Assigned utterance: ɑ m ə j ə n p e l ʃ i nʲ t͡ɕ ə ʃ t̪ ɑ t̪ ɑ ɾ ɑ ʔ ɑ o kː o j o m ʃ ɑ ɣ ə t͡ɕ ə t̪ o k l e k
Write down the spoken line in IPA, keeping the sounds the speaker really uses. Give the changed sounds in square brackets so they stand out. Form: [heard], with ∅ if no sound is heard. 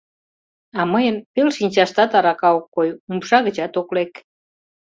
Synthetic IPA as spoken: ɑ m ə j ə n p e l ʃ i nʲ t͡ɕ [ɑ] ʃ t̪ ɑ t̪ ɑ ɾ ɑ [k] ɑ o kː o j [u] m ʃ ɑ ɣ ə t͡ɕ [ɑ] t̪ o k l e k